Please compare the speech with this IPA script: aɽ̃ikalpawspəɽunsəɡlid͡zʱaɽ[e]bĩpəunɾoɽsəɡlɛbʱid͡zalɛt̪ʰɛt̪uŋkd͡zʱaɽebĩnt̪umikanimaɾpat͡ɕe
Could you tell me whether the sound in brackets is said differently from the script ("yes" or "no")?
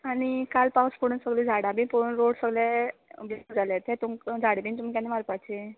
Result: yes